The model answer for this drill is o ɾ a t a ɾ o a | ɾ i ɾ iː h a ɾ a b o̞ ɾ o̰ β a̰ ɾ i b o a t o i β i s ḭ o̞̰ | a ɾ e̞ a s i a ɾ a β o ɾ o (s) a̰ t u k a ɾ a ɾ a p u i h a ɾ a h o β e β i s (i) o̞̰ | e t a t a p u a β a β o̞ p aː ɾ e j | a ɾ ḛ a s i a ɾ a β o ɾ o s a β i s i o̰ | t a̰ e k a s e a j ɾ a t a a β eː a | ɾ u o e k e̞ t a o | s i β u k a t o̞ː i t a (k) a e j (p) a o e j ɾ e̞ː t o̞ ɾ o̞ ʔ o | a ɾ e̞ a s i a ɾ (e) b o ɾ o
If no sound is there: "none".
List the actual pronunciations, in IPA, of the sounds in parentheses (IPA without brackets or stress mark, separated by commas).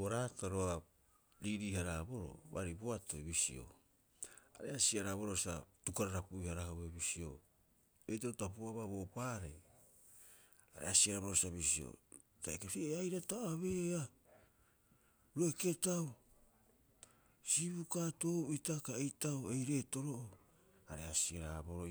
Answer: s, i, k, t, a